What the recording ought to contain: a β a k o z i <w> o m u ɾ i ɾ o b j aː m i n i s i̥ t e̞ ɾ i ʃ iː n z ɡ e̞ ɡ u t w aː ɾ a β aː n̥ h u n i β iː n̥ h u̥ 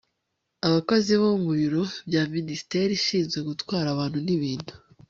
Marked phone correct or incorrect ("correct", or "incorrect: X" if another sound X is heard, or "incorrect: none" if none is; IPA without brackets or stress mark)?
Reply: incorrect: β